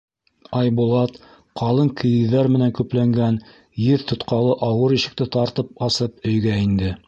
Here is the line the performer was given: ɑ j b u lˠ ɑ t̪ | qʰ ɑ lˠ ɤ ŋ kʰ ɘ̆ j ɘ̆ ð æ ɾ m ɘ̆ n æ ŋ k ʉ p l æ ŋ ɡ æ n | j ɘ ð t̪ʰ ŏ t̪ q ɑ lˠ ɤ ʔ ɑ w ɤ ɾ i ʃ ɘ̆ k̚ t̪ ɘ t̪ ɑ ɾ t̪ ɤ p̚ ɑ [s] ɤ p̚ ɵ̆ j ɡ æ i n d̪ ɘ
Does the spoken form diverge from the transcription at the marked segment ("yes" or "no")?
no